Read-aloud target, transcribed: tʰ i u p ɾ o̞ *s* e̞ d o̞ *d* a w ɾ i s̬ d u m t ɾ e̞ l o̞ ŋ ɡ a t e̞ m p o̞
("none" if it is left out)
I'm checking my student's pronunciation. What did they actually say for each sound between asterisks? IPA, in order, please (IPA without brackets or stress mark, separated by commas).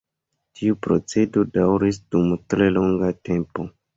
t͡s, d